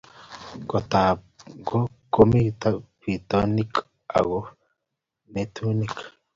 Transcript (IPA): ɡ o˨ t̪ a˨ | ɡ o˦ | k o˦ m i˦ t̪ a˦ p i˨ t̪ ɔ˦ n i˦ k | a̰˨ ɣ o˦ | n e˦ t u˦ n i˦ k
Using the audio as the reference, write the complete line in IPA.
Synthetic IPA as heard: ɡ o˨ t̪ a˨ | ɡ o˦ | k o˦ m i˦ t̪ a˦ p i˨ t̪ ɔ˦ n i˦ k | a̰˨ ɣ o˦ | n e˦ t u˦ n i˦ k